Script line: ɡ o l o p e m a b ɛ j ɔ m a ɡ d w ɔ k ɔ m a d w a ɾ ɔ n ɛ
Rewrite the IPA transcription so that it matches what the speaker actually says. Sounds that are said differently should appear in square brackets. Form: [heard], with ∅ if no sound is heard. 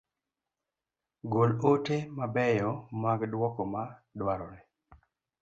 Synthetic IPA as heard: ɡ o l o [t] e m a b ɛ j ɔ m a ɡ d w ɔ k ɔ m a d w a ɾ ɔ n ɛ